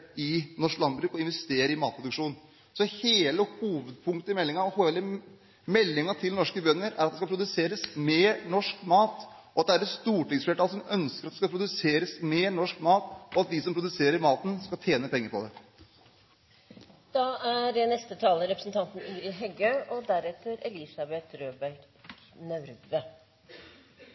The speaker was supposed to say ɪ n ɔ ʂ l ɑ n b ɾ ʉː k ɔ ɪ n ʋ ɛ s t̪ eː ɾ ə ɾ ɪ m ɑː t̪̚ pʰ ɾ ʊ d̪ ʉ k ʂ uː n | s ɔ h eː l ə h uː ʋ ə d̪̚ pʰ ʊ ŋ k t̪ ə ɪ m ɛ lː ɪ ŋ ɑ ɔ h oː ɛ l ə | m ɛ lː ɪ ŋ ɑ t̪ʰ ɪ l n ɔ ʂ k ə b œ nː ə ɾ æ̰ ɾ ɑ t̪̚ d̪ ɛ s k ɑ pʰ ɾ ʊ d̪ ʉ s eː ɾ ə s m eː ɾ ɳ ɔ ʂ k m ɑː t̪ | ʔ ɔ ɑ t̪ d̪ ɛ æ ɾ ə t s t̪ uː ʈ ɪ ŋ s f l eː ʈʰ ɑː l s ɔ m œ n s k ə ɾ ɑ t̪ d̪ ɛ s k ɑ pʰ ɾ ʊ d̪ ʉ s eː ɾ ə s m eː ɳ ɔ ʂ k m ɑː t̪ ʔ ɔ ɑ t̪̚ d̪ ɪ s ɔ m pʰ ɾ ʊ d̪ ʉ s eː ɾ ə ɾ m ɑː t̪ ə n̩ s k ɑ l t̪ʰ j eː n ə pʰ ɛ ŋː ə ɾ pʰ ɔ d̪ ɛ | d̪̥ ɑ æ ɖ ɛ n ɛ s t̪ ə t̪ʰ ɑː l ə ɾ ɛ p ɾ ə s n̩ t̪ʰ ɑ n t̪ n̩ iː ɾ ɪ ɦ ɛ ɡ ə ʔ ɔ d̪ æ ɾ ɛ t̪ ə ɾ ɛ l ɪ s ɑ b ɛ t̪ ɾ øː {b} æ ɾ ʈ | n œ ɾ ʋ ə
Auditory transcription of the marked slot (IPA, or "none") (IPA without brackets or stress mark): b